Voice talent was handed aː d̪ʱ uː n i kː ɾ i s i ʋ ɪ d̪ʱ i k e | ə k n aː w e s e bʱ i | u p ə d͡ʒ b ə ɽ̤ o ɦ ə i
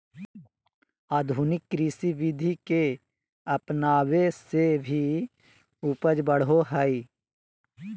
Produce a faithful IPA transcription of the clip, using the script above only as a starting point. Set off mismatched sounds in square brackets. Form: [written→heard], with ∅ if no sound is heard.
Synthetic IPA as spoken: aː d̪ʱ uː n [i→ɪ] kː ɾ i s i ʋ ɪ d̪ʱ i k e | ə [k→p] n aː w e s e bʱ i | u p ə d͡ʒ b ə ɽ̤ o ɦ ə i